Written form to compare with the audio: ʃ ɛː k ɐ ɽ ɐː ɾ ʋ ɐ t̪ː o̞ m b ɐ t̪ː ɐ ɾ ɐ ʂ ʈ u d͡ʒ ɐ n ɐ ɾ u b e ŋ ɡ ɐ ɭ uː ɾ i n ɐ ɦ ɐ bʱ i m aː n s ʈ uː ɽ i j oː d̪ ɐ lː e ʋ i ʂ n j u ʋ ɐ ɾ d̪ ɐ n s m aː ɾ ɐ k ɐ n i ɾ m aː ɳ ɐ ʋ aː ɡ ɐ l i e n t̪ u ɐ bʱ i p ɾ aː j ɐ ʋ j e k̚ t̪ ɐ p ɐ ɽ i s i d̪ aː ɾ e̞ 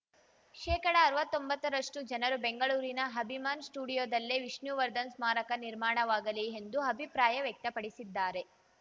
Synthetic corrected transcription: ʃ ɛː k ɐ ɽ ɐː ɾ ʋ ɐ t̪ː o̞ m b ɐ t̪ː ɐ ɾ ɐ ʂ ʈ u d͡ʒ ɐ n ɐ ɾ u b e ŋ ɡ ɐ ɭ uː ɾ i n ɐ ɦ ɐ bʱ i m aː n s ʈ uː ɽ i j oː d̪ ɐ lː e ʋ i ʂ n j u ʋ ɐ ɾ d̪ ɐ n s m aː ɾ ɐ k ɐ n i ɾ m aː ɳ ɐ ʋ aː ɡ ɐ l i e n d̪ u ɐ bʱ i p ɾ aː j ɐ ʋ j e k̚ t̪ ɐ p ɐ ɽ i s i d̪ː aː ɾ e̞